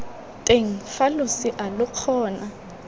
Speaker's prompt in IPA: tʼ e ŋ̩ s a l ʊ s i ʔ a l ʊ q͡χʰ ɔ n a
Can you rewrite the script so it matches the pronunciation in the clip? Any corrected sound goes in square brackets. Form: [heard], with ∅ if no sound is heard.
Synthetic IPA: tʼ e ŋ̩ [f] a l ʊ s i ʔ a l ʊ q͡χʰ [ɔː] n a